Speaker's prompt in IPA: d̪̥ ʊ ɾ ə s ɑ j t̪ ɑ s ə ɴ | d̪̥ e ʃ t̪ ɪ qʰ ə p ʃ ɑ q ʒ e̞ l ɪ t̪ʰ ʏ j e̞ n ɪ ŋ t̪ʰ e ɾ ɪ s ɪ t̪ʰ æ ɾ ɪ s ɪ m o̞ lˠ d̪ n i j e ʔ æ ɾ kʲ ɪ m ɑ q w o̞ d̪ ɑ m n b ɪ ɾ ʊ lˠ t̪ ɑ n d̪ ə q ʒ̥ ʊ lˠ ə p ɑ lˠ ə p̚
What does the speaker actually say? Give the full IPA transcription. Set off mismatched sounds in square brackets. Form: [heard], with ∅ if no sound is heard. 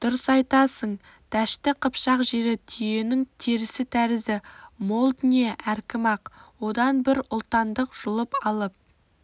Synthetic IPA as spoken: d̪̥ ʊ ɾ ə s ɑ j t̪ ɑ s ə ɴ | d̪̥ [æ] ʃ t̪ ɪ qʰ ə p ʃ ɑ q ʒ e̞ [ɾ] ɪ t̪ʰ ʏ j e̞ n ɪ ŋ t̪ʰ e ɾ ɪ s ɪ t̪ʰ æ ɾ ɪ [z] ɪ m o̞ lˠ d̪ n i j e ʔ æ ɾ kʲ ɪ m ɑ q w o̞ d̪ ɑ [∅] n b ɪ ɾ ʊ lˠ t̪ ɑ n d̪ ə q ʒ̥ ʊ lˠ ə p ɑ lˠ ə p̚

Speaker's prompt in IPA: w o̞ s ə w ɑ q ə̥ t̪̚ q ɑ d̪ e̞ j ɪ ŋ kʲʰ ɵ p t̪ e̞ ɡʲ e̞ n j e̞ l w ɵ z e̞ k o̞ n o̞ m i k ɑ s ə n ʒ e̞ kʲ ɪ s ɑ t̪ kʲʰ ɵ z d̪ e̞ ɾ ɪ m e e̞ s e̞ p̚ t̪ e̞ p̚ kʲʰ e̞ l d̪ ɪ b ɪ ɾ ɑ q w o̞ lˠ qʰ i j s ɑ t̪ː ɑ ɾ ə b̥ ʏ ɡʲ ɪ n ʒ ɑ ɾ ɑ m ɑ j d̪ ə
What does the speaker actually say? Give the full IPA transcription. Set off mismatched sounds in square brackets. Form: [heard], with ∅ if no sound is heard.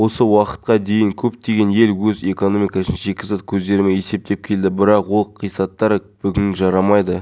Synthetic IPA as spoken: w o̞ s ə w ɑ q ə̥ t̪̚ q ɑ d̪ e̞ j ɪ ŋ kʲʰ ɵ p t̪ e̞ ɡʲ e̞ n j e̞ l w ɵ z e̞ k o̞ n o̞ m i k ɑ s ə n ʒ e̞ kʲ ɪ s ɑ t̪ kʲʰ ɵ z d̪ e̞ ɾ ɪ m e e̞ s e̞ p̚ t̪ e̞ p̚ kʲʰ e̞ l d̪ ɪ b ɪ ɾ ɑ q w o̞ lˠ qʰ i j s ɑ t̪ː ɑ ɾ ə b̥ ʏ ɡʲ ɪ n ʒ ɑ ɾ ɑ m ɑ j d̪ ə

